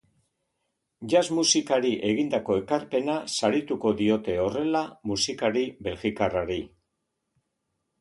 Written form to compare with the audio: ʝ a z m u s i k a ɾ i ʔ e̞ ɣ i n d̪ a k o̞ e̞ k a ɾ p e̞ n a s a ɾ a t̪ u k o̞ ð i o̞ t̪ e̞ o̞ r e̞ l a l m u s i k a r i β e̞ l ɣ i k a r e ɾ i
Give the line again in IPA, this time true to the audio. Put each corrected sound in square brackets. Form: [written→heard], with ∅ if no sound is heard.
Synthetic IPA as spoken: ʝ a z m u s i k a ɾ i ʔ e̞ ɣ i n d̪ a k o̞ e̞ k a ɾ p e̞ n a s a ɾ [a→i] t̪ u k o̞ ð i o̞ t̪ e̞ o̞ r e̞ l a [l→∅] m u s i k a [r→ɾ] i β e̞ l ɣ i k a r [e→a] ɾ i